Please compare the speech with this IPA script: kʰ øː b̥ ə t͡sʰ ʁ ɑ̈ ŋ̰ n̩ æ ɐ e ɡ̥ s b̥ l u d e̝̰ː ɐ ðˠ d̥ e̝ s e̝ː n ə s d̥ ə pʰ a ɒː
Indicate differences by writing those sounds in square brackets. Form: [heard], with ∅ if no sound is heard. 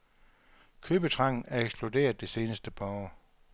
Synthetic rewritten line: kʰ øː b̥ ə t͡sʰ ʁ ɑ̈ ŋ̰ n̩ æ ɐ e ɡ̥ s b̥ l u d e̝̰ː ɐ ðˠ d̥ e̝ s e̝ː n ə s d̥ ə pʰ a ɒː